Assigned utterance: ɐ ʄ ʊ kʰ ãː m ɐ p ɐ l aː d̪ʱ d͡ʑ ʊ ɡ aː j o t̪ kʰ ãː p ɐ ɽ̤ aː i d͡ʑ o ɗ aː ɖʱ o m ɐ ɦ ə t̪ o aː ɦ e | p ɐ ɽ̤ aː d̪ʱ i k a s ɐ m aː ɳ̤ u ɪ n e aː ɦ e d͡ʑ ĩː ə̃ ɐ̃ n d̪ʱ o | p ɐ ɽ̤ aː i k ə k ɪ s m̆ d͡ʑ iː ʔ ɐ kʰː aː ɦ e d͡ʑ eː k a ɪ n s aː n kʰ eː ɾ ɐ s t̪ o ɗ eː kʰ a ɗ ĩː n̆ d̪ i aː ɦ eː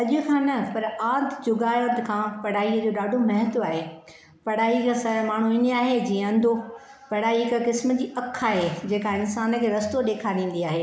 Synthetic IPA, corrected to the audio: ɐ ʄ ʊ kʰ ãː n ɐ p ɐ ɾ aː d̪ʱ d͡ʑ ʊ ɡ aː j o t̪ kʰ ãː p ɐ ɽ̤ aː i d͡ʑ o ɗ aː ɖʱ o m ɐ ɦ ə t̪ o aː ɦ e | p ɐ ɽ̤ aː i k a s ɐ m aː ɳ̤ u ɪ n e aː ɦ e d͡ʑ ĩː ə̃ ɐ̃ n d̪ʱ o | p ɐ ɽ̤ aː i k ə k ɪ s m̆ d͡ʑ iː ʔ ɐ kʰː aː ɦ e d͡ʑ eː k a ɪ n s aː n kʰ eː ɾ ɐ s t̪ o ɗ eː kʰ a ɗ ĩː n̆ d̪ i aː ɦ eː